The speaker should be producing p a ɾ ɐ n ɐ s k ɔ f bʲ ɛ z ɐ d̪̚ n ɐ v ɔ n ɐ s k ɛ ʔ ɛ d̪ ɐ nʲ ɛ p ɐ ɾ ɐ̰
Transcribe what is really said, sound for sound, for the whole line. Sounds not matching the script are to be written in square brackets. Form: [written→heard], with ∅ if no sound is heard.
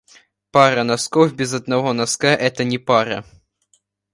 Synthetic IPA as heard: p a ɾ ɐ n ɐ s k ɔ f bʲ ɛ z ɐ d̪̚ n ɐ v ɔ n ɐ s k [ɛ→a] ʔ ɛ [d̪→t̪] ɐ nʲ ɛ p [ɐ→a] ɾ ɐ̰